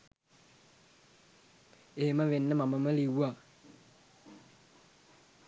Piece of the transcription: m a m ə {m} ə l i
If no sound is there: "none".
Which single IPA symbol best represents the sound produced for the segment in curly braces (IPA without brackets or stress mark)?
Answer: m